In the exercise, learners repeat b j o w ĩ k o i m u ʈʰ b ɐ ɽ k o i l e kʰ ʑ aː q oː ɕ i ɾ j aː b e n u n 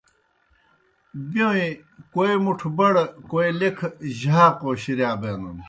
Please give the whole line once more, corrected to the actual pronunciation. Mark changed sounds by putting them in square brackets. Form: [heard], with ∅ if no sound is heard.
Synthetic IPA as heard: b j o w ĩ k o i m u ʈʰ b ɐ ɽ k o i l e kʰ ʑ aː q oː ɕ i ɾ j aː b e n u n